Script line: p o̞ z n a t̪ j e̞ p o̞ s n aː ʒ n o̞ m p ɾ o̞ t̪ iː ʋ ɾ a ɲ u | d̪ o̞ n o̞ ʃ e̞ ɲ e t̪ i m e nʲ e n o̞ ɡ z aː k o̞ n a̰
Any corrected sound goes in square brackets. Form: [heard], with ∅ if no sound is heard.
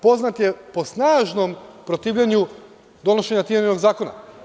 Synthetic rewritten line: p o̞ z n a t̪ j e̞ p o̞ s n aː ʒ n o̞ m p ɾ o̞ t̪ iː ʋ [ʎ] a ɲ u | d̪ o̞ n o̞ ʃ e̞ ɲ [a] t̪ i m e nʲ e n o̞ ɡ z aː k o̞ n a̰